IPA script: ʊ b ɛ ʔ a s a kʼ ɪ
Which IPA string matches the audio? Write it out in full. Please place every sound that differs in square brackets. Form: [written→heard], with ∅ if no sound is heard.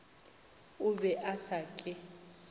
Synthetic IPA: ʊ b ɛ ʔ a s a kʼ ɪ